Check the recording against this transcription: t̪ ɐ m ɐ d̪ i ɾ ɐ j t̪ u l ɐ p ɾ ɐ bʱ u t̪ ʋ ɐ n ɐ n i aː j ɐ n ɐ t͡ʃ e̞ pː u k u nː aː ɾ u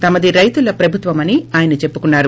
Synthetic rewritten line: t̪ ɐ m ɐ d̪ i ɾ ɐ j t̪ u l ɐ p ɾ ɐ bʱ u t̪ ʋ ɐ m ɐ n i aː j ɐ n ɐ t͡ʃ e̞ pː u k u nː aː ɾ u